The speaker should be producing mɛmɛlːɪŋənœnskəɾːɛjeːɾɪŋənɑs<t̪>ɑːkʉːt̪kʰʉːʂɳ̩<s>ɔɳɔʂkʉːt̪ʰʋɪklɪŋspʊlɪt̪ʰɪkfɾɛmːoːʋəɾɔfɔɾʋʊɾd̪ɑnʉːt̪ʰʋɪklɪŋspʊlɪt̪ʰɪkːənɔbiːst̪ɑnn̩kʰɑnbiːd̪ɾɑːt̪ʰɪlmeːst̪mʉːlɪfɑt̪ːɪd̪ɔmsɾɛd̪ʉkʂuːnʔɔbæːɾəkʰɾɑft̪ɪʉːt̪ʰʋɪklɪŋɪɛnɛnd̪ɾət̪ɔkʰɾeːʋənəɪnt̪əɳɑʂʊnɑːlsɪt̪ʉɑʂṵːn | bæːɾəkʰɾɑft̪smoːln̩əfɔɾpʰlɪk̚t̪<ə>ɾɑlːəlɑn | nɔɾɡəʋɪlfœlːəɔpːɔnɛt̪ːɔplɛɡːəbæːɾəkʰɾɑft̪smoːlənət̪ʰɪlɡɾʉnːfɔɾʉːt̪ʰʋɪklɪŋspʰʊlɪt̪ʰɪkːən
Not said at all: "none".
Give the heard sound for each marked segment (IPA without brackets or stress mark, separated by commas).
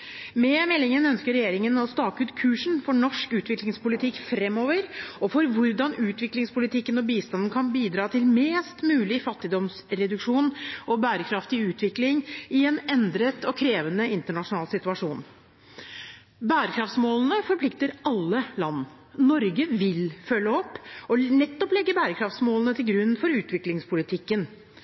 t̪, f, ə